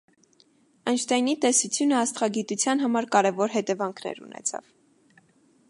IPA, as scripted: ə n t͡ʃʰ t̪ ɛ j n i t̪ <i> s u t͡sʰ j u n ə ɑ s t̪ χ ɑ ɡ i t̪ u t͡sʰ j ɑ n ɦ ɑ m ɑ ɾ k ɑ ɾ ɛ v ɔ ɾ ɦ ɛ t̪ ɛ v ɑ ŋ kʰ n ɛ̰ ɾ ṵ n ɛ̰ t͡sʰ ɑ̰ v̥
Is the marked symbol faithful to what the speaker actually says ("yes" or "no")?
no